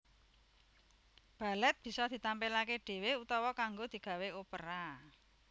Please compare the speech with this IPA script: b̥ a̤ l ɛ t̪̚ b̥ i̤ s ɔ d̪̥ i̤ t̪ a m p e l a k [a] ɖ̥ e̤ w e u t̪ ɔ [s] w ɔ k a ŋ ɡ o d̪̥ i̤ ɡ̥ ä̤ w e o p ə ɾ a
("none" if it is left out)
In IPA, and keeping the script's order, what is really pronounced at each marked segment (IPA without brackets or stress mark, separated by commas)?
e, none